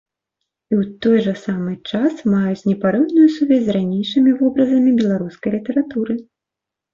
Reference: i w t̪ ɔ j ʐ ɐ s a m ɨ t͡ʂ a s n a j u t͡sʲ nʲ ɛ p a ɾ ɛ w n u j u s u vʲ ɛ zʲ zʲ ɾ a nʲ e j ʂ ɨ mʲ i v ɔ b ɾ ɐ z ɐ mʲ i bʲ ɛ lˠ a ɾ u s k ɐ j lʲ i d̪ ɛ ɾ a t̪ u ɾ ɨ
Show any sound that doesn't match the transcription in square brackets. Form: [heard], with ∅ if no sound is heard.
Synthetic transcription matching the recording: i w t̪ ɔ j ʐ ɐ s a m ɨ t͡ʂ a s [m] a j u t͡sʲ nʲ ɛ p a ɾ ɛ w n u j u s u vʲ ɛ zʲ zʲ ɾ a nʲ e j ʂ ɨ mʲ i v ɔ b ɾ ɐ z ɐ mʲ i bʲ ɛ lˠ a ɾ u s k ɐ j lʲ i [t̪] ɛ ɾ a t̪ u ɾ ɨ